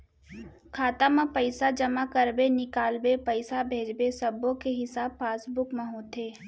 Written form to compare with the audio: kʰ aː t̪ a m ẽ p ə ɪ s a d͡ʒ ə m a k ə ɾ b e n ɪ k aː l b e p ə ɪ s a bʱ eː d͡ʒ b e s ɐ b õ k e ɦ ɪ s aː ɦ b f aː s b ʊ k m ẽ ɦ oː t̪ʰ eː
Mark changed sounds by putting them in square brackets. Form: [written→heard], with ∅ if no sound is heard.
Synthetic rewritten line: kʰ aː t̪ a m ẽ p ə ɪ s a d͡ʒ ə m a k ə ɾ b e n ɪ k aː l b e p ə ɪ s a bʱ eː d͡ʒ b e s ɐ b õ k e ɦ ɪ s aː [ɦ→∅] b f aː s b ʊ k m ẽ ɦ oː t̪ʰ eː